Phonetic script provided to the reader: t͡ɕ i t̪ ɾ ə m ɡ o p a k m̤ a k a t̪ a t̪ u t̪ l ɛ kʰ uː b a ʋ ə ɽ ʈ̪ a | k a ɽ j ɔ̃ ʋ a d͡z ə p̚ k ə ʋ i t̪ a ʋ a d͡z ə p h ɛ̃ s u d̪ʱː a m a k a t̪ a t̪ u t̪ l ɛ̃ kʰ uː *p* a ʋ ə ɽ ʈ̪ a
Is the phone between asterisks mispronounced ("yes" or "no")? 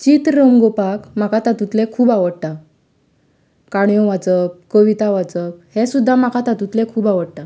yes